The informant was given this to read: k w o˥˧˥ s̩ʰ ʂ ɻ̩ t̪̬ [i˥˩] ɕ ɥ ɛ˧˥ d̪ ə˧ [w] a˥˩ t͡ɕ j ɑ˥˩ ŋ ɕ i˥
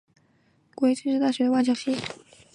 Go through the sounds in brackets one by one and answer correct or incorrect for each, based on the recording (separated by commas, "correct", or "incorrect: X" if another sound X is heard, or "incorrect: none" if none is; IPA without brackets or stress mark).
incorrect: a˥˩, correct